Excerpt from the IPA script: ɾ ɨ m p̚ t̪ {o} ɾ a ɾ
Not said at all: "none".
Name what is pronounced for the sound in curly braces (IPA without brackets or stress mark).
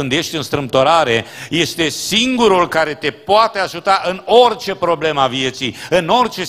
o